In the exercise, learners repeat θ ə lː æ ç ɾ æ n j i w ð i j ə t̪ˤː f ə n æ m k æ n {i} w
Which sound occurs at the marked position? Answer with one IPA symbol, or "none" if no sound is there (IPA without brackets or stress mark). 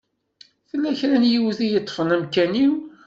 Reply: i